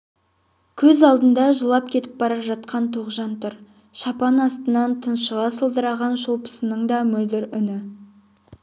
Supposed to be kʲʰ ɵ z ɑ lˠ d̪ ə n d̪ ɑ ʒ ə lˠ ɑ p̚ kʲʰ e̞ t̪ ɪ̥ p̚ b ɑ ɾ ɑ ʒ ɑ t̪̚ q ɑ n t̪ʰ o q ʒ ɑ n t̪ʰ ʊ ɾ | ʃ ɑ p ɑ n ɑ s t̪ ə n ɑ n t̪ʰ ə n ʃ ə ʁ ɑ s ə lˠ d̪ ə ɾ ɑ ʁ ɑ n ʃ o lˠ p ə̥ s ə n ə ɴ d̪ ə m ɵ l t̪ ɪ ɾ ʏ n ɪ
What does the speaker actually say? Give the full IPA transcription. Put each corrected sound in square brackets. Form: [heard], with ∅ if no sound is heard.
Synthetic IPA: kʲʰ ɵ z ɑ lˠ d̪ ə n d̪ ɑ ʒ ə lˠ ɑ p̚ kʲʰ e̞ t̪ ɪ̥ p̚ b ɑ ɾ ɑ ʒ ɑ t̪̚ q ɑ n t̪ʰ o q ʒ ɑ n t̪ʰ ʊ ɾ | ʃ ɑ p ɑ n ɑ s t̪ ə n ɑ n t̪ʰ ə n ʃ ə ʁ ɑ s ə lˠ d̪ ə ɾ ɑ ʁ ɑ n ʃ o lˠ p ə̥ s ə n ə ɴ d̪ [ɑ] m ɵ l [d̪] ɪ ɾ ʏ n ɪ